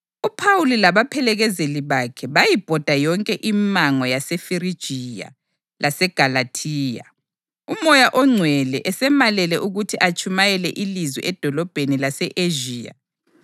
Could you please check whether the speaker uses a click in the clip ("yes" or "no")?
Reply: yes